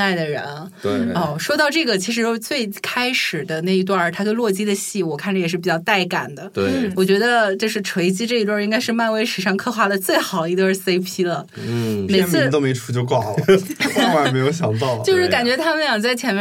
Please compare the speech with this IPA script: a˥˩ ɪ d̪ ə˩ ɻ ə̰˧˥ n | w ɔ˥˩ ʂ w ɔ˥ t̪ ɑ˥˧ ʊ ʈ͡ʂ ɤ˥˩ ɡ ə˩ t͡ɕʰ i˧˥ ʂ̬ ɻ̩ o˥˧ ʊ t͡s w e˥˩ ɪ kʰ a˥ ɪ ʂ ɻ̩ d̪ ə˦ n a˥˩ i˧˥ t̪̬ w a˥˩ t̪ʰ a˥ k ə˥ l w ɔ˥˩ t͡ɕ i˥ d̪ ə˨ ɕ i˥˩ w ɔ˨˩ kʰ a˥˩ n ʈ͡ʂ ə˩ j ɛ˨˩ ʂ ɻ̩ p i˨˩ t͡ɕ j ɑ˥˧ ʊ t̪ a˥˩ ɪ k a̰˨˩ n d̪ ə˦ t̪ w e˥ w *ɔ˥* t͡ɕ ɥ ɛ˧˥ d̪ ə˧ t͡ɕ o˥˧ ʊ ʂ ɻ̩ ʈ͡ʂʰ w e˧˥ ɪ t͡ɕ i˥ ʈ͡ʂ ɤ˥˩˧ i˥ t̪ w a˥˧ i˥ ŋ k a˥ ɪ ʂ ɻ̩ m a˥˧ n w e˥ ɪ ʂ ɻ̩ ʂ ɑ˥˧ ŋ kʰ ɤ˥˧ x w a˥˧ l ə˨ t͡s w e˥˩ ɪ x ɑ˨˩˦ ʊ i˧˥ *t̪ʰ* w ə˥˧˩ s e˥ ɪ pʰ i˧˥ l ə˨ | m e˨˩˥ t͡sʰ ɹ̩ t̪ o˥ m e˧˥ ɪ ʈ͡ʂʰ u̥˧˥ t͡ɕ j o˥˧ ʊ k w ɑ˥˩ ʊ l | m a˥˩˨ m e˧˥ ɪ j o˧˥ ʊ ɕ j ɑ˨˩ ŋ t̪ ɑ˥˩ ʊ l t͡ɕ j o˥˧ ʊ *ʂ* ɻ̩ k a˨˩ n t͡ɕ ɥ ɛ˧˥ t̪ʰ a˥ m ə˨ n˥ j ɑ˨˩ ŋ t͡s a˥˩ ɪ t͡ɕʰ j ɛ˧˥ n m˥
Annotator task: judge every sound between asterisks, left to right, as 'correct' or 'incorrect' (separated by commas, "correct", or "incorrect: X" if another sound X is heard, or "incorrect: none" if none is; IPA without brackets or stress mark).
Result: incorrect: ɔ˨˩, incorrect: t̪, correct